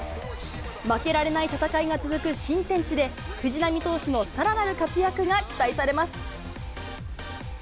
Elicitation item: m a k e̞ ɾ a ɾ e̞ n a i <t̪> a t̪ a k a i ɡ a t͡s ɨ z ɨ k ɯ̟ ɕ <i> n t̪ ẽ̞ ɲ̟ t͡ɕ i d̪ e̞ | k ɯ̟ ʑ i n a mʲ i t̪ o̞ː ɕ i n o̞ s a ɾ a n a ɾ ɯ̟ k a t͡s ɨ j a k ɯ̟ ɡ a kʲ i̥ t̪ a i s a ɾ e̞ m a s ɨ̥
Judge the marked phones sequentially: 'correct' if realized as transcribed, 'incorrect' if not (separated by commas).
correct, incorrect